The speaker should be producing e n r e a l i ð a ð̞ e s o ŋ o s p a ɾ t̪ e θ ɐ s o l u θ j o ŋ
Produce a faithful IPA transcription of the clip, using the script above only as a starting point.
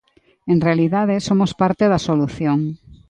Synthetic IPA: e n r e a l i ð a ð̞ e s o m o s p a ɾ t̪ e ð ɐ s o l u θ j o ŋ